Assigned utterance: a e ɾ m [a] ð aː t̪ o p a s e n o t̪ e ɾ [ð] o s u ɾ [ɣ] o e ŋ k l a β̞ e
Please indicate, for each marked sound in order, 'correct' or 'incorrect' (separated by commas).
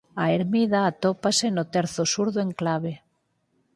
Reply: incorrect, incorrect, incorrect